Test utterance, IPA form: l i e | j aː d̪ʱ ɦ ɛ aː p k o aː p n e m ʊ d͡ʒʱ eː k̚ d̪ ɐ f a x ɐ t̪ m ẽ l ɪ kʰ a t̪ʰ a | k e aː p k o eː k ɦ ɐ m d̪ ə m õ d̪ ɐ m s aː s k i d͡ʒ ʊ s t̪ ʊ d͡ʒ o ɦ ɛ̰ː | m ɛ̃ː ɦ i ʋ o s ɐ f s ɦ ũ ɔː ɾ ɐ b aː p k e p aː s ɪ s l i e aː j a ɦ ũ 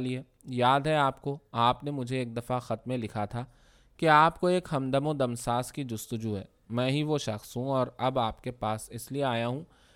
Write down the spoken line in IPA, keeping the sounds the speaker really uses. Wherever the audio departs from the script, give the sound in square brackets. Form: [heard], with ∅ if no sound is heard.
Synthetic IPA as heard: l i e | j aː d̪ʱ ɦ ɛ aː p k o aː p n e m ʊ d͡ʒʱ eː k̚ d̪ ɐ f a x ɐ t̪ m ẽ l ɪ kʰ a t̪ʰ a | k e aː p k o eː k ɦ ɐ m d̪ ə m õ d̪ ɐ m s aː s k i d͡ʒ ʊ s t̪ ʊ d͡ʒ [u] ɦ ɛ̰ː | m ɛ̃ː ɦ i ʋ o [ʃ] ɐ [x] s ɦ ũ ɔː ɾ ɐ b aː p k e p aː s ɪ s l i e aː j a ɦ ũ